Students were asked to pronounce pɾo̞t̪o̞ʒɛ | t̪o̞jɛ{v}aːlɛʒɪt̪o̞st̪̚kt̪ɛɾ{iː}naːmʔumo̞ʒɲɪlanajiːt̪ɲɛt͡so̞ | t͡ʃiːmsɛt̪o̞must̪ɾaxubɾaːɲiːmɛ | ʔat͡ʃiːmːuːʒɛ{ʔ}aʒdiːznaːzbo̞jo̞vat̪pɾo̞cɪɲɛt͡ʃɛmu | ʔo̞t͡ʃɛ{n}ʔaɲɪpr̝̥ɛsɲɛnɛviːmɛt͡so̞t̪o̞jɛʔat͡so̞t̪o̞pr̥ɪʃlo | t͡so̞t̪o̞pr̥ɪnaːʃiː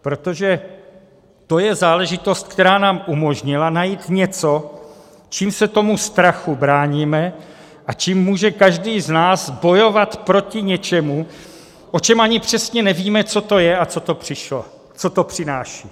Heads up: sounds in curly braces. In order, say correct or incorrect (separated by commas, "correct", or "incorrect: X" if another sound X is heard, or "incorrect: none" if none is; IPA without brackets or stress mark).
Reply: incorrect: z, incorrect: aː, incorrect: k, incorrect: m